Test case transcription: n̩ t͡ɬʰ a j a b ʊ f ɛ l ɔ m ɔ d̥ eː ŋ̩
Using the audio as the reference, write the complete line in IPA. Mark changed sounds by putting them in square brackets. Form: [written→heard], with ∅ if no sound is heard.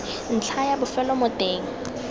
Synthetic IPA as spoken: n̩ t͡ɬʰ a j a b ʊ f ɛ l ɔ m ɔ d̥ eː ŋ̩